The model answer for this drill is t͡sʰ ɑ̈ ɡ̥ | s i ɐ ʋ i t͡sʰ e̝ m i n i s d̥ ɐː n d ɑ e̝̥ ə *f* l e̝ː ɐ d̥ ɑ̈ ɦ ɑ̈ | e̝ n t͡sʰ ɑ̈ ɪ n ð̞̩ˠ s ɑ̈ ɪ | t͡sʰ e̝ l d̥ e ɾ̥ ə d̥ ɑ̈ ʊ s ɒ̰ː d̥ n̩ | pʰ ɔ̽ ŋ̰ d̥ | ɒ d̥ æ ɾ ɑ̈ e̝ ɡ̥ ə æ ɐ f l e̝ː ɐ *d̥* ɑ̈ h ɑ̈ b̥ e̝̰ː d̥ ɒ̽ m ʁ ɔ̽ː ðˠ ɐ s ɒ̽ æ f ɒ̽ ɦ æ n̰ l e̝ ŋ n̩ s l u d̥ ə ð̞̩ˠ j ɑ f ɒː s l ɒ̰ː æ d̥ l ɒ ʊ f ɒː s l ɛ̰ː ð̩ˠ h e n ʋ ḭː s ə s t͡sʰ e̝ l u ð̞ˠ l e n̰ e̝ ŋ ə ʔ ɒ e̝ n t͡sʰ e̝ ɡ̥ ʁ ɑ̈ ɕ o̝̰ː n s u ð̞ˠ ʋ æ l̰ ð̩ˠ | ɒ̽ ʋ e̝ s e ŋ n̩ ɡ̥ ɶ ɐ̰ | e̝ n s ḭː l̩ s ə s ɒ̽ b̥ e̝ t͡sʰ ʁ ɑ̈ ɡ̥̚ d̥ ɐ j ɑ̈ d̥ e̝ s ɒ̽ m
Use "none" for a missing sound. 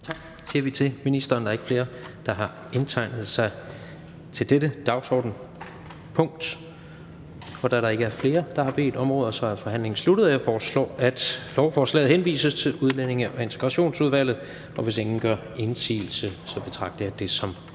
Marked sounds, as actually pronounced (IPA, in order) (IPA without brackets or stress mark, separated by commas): f, d̥